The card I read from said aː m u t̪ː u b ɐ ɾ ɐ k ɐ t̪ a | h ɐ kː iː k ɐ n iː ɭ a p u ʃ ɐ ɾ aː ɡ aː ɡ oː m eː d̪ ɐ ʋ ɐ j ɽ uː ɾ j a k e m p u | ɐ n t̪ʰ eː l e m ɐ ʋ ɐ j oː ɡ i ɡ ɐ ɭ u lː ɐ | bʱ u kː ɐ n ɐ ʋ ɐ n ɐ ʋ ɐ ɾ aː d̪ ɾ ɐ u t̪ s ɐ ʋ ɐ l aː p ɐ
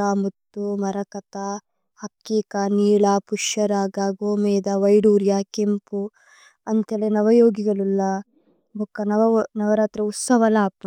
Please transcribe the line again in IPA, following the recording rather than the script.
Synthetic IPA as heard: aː m u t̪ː u m ɐ ɾ ɐ k ɐ t̪ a | h ɐ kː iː k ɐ n iː ɭ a p u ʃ ɐ ɾ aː ɡ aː ɡ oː m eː d̪ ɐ ʋ ɐ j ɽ uː ɾ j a k e m p u | ɐ n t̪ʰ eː l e n ɐ ʋ ɐ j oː ɡ i ɡ ɐ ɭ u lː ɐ | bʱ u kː ɐ n ɐ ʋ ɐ n ɐ ʋ ɐ ɾ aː t̪ ɾ ɐ u t̪ s ɐ ʋ ɐ l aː p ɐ